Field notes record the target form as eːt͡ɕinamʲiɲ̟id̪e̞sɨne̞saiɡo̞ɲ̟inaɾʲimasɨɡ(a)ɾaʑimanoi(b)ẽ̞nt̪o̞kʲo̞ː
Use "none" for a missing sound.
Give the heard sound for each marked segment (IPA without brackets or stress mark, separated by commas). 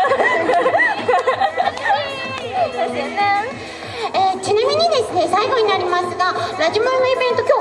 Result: a, b